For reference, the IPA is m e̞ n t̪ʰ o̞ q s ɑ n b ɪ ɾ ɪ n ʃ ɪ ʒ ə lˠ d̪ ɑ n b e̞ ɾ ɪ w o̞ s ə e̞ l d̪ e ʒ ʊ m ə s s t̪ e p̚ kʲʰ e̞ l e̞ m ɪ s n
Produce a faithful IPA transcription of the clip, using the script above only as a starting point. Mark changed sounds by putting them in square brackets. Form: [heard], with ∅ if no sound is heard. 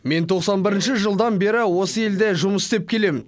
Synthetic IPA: m e̞ n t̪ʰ o̞ q s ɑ n b ɪ ɾ ɪ n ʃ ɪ ʒ ə lˠ d̪ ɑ n b e̞ ɾ ɪ w o̞ s ə e̞ l d̪ e ʒ ʊ m ə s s t̪ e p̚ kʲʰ e̞ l e̞ m ɪ [∅] n